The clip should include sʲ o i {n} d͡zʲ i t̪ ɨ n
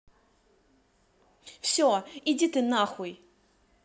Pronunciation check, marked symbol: incorrect: none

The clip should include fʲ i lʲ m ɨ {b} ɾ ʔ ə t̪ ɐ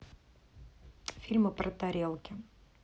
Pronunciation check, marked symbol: incorrect: p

